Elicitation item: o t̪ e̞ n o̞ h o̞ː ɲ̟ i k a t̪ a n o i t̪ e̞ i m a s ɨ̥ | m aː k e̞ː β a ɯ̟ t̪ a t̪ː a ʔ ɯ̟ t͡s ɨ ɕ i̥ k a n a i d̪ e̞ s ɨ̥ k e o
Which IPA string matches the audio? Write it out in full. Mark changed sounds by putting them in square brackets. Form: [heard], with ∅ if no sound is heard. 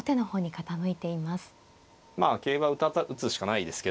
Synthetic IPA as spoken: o t̪ e̞ n o̞ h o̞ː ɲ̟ i k a t̪ a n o i t̪ e̞ i m a s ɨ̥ | m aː k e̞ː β a ɯ̟ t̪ a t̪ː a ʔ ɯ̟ t͡s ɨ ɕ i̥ k a n a i d̪ e̞ s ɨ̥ k e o